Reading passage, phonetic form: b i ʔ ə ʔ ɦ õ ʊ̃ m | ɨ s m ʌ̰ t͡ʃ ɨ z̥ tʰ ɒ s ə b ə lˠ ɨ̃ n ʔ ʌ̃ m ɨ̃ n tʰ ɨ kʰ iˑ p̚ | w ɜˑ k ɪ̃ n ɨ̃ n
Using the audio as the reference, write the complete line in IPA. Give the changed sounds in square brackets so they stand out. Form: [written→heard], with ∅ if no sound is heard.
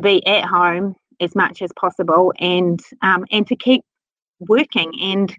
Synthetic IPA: b i ʔ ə ʔ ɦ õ ʊ̃ m | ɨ [s→z] m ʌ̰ t͡ʃ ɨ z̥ [tʰ→pʰ] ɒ s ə b ə lˠ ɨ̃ n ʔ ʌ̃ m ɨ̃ n tʰ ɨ kʰ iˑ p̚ | w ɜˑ k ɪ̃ [n→ŋ] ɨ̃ n